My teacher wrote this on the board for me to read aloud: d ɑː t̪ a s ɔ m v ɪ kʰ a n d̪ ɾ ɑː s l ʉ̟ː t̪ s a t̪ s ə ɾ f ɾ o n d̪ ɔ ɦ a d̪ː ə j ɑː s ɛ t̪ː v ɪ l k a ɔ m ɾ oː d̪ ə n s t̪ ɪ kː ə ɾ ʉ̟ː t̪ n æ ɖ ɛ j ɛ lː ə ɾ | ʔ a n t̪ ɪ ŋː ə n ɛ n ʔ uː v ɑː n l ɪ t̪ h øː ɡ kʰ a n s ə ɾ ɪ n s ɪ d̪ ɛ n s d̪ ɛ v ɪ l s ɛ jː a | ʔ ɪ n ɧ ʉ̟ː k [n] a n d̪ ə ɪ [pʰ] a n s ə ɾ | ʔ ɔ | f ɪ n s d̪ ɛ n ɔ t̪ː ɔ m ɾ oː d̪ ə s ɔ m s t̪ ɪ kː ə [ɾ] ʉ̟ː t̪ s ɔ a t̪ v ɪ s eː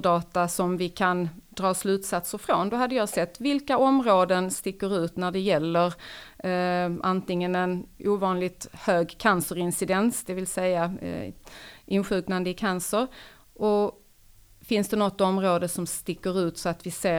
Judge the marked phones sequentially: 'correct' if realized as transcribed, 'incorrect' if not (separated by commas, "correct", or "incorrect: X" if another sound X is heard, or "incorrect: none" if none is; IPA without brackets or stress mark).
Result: correct, incorrect: kʰ, correct